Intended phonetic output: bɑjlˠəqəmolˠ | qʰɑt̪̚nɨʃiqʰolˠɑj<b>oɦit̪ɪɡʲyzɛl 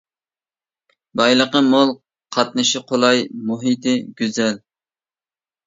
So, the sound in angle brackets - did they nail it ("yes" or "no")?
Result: no